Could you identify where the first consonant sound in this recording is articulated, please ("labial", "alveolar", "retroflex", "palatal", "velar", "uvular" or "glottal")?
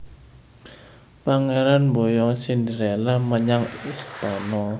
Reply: labial